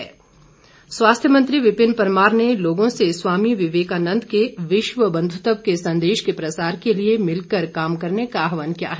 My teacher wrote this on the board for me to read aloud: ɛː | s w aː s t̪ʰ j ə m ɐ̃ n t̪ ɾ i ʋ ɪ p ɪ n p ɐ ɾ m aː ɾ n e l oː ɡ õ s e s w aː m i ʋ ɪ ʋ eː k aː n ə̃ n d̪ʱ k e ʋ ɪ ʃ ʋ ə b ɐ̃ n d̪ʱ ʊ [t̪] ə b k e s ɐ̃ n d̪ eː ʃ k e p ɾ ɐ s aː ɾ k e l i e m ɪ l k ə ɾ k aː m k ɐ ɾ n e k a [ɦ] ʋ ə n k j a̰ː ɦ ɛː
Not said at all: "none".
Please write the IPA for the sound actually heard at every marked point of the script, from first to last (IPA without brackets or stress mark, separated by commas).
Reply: t̪, ɦ